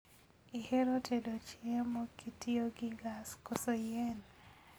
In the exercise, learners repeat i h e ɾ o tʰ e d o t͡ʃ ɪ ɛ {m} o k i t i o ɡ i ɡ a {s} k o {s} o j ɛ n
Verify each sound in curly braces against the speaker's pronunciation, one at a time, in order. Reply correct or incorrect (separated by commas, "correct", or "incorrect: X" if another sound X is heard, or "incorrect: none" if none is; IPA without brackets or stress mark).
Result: correct, correct, correct